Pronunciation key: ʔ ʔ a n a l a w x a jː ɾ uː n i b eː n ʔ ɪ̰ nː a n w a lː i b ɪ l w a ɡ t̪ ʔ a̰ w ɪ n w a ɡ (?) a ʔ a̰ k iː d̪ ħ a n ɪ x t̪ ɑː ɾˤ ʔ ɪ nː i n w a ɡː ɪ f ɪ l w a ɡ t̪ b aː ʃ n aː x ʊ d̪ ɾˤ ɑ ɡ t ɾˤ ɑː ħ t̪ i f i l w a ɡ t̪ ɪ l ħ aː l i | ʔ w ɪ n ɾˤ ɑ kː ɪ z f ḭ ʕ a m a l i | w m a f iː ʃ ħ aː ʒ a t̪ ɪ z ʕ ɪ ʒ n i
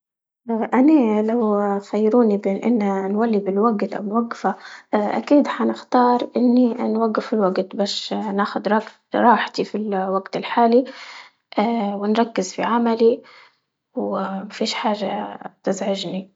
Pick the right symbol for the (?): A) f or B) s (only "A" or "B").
A